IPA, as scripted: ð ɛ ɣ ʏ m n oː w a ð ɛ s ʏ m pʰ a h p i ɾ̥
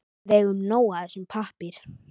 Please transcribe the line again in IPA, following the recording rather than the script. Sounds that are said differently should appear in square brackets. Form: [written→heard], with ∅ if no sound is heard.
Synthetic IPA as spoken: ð ɛ ɣ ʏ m n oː w a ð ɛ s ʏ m pʰ a h p [i→ɪ] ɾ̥